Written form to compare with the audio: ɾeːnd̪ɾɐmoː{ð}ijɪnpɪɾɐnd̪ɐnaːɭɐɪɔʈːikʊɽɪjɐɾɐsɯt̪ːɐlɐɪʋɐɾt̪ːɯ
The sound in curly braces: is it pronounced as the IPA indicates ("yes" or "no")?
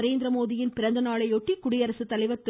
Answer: yes